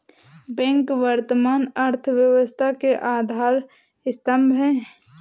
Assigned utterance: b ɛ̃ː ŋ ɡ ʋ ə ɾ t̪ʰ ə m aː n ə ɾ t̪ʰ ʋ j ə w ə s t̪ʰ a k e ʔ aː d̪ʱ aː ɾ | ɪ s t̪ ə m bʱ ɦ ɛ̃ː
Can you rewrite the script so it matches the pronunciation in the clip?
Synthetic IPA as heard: b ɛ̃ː ŋ k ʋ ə ɾ t̪ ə m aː n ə ɾ t̪ʰ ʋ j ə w ə s t̪ʰ a k e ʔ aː d̪ʱ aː ɾ | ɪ s t̪ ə m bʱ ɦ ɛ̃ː